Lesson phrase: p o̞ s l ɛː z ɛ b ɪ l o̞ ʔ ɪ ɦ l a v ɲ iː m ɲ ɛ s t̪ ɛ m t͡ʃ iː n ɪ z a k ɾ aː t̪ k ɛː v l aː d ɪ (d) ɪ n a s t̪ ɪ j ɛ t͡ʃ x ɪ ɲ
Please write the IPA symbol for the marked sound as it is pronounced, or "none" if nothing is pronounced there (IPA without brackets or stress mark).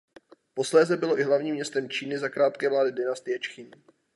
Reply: d